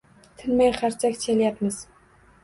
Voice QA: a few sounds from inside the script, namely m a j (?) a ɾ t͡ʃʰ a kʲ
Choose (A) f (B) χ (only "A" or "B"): B